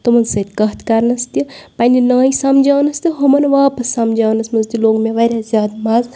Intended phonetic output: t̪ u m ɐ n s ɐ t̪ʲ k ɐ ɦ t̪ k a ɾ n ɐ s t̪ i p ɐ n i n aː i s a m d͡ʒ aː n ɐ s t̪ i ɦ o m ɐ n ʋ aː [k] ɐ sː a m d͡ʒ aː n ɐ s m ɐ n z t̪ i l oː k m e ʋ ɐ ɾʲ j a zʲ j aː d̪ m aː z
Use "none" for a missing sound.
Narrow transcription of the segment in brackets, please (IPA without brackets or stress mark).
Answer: p